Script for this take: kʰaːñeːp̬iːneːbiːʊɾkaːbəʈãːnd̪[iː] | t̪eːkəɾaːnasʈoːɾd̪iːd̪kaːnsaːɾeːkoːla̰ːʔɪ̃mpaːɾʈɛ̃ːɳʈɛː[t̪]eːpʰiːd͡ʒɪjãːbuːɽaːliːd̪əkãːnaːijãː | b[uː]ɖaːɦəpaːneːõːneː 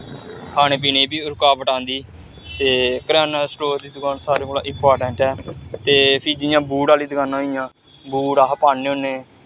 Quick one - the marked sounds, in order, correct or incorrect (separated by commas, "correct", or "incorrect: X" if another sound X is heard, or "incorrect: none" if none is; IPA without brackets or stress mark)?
correct, correct, correct